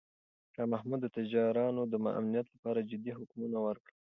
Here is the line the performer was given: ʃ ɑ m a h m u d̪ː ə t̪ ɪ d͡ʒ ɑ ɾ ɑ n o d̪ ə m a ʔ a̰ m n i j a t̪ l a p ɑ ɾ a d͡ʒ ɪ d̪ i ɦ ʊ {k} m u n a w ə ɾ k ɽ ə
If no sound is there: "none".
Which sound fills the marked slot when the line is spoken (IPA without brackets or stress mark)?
k